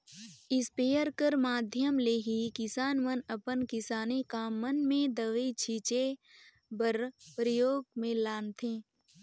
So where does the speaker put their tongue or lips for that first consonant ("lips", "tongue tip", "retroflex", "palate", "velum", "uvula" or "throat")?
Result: tongue tip